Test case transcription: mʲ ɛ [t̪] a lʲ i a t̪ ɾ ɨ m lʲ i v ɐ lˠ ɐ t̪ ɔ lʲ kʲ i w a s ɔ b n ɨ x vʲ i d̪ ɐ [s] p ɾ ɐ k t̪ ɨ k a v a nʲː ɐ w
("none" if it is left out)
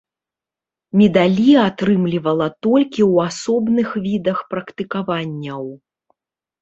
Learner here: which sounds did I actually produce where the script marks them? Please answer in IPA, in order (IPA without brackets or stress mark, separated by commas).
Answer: d̪, x